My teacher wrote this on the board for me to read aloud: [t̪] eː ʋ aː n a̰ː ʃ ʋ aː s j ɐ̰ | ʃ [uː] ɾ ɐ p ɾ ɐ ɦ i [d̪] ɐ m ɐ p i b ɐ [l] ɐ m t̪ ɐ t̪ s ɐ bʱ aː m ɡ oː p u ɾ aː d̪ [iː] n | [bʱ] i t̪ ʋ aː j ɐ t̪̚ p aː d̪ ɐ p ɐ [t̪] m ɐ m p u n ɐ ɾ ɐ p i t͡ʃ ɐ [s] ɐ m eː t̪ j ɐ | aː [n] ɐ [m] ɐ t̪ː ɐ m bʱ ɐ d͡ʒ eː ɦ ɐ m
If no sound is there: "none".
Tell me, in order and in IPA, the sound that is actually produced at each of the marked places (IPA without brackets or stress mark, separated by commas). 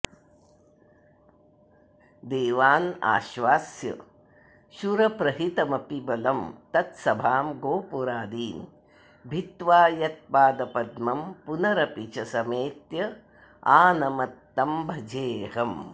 d̪, u, t̪, l, iː, bʱ, d̪, s, n, m